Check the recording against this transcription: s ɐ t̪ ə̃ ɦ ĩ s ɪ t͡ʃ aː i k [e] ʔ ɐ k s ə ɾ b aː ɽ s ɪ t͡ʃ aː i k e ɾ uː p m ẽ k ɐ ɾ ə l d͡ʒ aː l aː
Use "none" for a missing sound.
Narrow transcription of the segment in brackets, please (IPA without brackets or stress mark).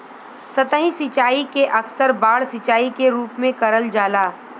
e